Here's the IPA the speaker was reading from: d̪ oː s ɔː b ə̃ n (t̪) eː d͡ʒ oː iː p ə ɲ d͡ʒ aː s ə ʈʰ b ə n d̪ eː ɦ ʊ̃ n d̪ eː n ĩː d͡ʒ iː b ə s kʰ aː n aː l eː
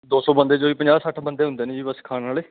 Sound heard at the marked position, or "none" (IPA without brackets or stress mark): d̪